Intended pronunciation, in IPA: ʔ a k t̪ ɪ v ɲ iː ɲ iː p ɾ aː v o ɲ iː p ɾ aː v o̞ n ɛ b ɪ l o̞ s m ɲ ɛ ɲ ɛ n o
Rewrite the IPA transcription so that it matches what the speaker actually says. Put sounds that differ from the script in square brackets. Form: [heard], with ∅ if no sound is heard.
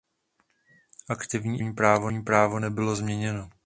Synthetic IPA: ʔ a k t̪ ɪ v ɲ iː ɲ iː p ɾ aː v o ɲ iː p ɾ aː v o̞ n ɛ b ɪ l o̞ [z] m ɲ ɛ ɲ ɛ n o